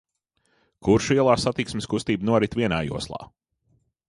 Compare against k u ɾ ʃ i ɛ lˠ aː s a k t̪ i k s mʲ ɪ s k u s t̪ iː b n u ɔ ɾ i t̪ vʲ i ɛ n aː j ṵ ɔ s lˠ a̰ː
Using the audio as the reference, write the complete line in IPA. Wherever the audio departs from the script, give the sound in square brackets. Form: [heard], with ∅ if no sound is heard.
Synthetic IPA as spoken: k u ɾ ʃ i ɛ lˠ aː s a [∅] t̪ i k s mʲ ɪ s k u s t̪ iː b n u ɔ ɾ i t̪ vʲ i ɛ n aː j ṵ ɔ s lˠ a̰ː